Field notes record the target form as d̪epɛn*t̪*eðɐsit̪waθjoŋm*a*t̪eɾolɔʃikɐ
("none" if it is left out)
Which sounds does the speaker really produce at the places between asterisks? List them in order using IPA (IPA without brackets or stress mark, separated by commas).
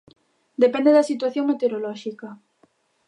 d̪, e